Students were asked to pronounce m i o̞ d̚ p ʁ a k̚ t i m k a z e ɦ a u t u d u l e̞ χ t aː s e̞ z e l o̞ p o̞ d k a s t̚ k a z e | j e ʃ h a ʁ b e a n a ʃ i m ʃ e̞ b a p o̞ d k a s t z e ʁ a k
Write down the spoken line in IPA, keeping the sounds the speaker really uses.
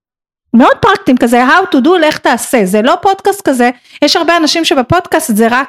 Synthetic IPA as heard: m e o̞ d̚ p ʁ a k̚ t i m k a z e ɦ a w t u d u l e̞ χ t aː s e̞ z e l o̞ p o̞ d k a s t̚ k a z e | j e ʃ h a ʁ b e a n a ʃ i m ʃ e̞ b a p o̞ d k a s t z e ʁ a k